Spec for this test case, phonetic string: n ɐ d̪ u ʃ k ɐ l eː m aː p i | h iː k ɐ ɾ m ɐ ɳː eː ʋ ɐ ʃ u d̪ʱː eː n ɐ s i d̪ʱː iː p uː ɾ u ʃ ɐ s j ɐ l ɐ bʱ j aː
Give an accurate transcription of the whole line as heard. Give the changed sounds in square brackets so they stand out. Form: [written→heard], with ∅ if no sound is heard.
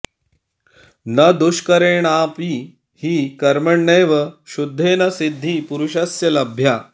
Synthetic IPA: n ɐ d̪ u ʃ k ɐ [l→ɾ] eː [m→ɳ] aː p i | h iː k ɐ ɾ m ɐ ɳː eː ʋ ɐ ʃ u d̪ʱː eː n ɐ s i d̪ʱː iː p [uː→u] ɾ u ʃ ɐ s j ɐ l ɐ bʱ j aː